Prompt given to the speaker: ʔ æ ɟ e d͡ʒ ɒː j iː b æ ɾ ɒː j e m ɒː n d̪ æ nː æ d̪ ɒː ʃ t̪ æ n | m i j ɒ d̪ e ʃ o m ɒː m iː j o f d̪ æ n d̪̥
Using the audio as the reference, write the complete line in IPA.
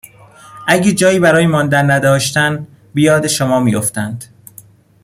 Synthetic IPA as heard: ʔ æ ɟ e d͡ʒ ɒː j iː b æ ɾ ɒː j e m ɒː n d̪ æ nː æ d̪ ɒː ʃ t̪ æ n | b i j ɒː d̪ e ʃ o m ɒː m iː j o f t̪ æ n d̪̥